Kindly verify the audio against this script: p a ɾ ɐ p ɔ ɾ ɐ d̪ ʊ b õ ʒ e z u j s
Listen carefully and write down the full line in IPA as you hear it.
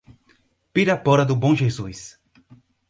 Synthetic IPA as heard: p i ɾ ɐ p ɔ ɾ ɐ d̪ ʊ b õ ʒ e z u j s